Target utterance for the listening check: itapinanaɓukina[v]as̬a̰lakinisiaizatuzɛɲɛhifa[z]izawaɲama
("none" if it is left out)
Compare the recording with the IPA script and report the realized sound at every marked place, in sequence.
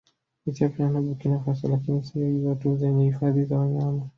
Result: f, ð

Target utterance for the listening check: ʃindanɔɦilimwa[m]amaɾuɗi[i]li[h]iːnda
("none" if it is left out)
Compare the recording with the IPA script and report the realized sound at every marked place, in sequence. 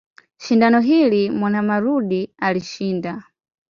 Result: n, a, ʃ

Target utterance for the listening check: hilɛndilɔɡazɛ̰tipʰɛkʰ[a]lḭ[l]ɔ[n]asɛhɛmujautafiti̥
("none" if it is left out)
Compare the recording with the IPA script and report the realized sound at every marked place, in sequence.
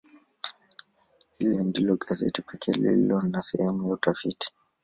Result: ɛ, l, n

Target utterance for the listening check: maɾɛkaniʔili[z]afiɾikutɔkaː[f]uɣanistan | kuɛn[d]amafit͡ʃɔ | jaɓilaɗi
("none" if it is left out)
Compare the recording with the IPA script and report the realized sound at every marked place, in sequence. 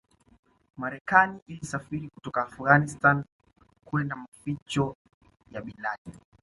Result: s, f, d

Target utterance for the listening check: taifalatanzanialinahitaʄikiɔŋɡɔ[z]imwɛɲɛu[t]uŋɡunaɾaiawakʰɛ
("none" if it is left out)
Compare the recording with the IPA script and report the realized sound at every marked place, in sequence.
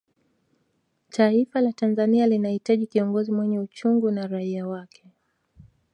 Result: z, t͡ʃ

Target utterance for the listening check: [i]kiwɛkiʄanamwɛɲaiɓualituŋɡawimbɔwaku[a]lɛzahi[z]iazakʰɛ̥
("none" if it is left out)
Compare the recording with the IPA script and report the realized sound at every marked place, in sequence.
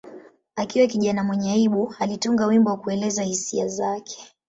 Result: a, ɛ, s

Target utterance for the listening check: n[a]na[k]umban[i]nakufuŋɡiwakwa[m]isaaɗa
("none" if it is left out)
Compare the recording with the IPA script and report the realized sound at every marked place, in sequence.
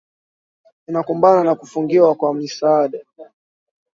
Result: i, k, a, m

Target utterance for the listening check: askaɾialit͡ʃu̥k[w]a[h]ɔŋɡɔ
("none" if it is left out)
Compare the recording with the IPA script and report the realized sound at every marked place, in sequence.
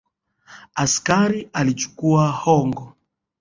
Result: u, h

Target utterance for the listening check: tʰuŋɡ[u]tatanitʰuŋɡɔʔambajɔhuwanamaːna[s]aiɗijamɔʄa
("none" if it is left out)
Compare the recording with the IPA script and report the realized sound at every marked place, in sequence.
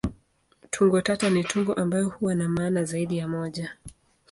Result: ɔ, z

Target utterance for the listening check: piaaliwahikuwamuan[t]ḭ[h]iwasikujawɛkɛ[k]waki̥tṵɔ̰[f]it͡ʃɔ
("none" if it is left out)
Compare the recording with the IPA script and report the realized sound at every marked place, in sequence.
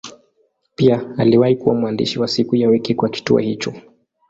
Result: d, ʃ, k, h

